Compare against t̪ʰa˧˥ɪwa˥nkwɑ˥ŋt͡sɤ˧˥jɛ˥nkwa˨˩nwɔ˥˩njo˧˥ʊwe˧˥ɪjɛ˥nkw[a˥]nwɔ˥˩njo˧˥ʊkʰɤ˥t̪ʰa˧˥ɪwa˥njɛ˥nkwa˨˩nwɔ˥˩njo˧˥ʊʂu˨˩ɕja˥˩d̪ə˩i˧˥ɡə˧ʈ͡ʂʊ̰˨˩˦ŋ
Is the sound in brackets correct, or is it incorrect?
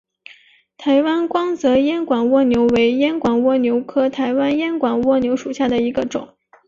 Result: incorrect